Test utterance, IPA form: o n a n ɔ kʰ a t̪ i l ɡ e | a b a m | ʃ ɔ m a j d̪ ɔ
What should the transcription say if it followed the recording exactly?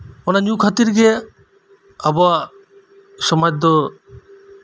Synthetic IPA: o n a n u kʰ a t̪ i ɾ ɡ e | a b a | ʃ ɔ m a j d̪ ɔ